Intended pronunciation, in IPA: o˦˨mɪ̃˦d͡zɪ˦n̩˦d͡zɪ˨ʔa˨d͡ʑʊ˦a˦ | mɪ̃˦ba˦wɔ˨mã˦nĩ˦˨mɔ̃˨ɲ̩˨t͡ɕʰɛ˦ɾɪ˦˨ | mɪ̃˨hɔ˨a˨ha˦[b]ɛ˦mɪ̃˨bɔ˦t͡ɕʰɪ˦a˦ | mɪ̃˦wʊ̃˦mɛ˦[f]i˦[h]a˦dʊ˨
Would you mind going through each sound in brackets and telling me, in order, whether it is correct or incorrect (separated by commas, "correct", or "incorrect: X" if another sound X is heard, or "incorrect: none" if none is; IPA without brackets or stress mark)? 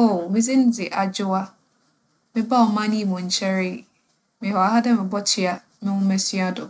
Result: incorrect: d, incorrect: s, incorrect: none